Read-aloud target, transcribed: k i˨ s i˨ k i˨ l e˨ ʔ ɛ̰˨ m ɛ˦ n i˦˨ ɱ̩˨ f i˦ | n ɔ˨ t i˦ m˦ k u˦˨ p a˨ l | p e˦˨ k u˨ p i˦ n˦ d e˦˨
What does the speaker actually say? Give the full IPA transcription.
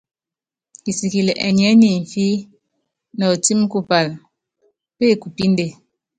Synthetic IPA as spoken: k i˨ s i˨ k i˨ l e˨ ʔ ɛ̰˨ ɲ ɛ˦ n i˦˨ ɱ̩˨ f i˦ | n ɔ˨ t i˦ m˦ k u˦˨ p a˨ l | p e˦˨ k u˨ p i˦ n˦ d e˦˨